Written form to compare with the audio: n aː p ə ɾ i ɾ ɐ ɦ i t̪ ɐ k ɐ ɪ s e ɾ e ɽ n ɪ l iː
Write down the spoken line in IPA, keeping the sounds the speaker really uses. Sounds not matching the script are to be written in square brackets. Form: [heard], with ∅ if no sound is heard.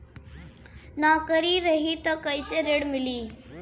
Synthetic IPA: n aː [k] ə ɾ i ɾ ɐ ɦ i t̪ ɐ k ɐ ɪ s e ɾ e ɽ [m] ɪ l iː